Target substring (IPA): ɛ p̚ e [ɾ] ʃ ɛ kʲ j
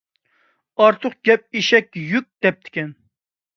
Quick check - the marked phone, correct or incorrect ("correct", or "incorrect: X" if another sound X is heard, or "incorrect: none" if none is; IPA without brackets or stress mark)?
incorrect: none